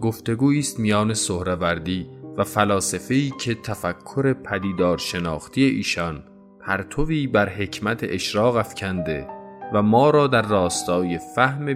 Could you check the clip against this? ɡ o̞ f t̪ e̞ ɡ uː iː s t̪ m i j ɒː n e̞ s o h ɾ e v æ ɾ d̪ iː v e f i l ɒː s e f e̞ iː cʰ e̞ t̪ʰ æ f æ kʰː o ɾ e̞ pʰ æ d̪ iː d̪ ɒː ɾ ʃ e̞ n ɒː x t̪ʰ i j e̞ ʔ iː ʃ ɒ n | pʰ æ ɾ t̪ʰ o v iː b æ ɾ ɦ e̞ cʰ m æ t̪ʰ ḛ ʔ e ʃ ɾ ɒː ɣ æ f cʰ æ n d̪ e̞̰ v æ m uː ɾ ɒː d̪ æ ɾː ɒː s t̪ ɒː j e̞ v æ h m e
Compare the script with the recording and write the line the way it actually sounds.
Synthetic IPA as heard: ɡ o̞ f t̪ e̞ ɡ uː iː s t̪ m i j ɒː n e̞ s o h ɾ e v æ ɾ d̪ iː v æ f æ l ɒː s e f e̞ iː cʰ e̞ t̪ʰ æ f æ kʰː o ɾ e̞ pʰ æ d̪ iː d̪ ɒː ɾ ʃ e̞ n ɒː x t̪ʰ i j e̞ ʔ iː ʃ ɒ n | pʰ æ ɾ t̪ʰ o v iː b æ ɾ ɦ e̞ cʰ m æ t̪ʰ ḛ ʔ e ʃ ɾ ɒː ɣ æ f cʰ æ n d̪ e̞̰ v æ m ɒː ɾ ɒː d̪ æ ɾː ɒː s t̪ ɒː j e̞ f æ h m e